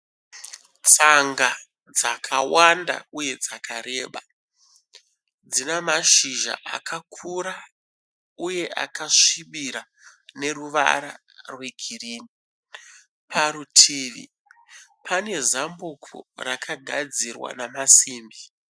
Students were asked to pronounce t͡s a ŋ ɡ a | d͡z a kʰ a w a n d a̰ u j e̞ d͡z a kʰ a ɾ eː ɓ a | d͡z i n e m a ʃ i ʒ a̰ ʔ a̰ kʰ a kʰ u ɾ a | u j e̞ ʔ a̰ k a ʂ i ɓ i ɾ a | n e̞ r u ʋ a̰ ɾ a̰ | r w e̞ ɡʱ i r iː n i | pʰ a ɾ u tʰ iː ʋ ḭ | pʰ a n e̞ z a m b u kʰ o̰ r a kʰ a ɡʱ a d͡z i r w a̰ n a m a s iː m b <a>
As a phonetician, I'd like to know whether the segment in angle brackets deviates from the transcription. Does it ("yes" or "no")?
yes